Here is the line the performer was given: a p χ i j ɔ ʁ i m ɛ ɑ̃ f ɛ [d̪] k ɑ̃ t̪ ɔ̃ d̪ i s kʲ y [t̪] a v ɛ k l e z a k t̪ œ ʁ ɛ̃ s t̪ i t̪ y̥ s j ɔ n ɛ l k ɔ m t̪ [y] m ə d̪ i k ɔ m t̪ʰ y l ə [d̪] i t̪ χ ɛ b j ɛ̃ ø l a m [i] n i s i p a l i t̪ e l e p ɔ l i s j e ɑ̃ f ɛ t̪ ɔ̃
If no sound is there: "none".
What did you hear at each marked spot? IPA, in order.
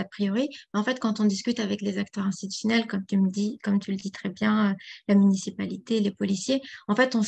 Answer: t̪, t̪, y, d̪, y

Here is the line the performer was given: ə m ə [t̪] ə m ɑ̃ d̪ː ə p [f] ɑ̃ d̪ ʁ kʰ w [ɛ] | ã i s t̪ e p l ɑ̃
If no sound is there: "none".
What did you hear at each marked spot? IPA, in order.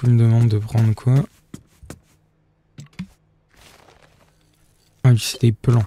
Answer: d̪, χ, a

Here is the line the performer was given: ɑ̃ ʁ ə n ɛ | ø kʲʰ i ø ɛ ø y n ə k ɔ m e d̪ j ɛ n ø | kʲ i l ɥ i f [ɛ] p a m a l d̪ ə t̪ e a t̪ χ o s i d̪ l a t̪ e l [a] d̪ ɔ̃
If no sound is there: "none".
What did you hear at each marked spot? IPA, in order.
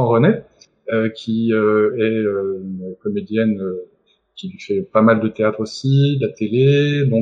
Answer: ɛ, e

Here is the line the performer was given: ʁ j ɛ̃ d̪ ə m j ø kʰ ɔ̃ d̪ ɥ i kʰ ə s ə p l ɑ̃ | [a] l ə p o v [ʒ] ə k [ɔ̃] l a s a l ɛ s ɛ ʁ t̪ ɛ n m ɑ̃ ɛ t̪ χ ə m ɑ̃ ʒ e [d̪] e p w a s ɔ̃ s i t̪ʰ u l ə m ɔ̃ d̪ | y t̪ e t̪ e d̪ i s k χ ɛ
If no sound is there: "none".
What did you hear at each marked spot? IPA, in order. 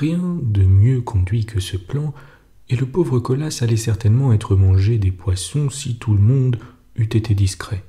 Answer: e, ʁ, ɔ, d̪

